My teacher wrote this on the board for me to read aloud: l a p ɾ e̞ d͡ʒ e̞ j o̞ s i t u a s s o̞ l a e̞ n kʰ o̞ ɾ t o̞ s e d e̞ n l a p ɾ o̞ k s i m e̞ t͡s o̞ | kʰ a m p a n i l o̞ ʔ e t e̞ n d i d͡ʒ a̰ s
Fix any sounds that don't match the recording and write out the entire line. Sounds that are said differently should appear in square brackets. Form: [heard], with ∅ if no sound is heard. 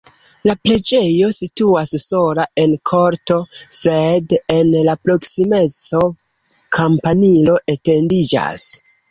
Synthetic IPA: l a p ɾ e̞ d͡ʒ e̞ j o̞ s i t u a s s o̞ l a e̞ n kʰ o̞ ɾ t o̞ s e d e̞ n l a p ɾ o̞ k s i m e̞ t͡s o̞ | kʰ a m p a n i l o̞ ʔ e t e̞ n d i d͡ʒ a̰ s